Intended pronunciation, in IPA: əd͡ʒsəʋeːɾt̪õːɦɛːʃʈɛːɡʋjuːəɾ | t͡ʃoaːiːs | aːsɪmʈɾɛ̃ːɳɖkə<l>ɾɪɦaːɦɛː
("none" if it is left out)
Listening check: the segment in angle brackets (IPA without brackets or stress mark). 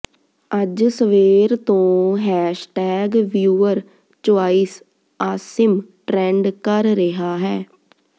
ɾ